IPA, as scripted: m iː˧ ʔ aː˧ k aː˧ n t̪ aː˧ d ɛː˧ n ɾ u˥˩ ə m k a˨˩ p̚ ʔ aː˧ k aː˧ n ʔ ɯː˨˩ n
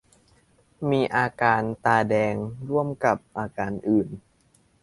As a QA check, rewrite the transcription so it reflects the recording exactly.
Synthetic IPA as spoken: m iː˧ ʔ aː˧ k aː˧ n t̪ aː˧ d ɛː˧ ŋ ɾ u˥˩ ə m k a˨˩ p̚ ʔ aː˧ k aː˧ n ʔ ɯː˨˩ n